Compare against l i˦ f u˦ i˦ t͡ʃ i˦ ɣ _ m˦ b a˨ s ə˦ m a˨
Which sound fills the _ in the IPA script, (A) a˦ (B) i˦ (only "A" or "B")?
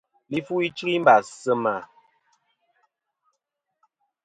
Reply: B